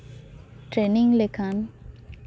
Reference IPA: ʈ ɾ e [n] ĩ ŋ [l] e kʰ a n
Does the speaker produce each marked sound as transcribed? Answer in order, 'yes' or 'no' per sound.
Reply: yes, yes

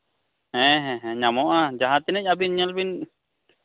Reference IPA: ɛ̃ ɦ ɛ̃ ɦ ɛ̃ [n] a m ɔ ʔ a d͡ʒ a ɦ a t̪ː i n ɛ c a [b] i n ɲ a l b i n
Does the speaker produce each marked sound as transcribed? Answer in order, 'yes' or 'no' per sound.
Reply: no, yes

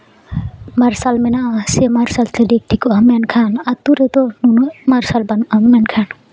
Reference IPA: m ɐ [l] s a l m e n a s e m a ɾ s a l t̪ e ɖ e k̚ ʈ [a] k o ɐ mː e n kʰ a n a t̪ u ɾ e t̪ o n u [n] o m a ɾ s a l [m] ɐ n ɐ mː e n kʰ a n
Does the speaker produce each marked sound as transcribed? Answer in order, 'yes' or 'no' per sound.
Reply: no, no, yes, no

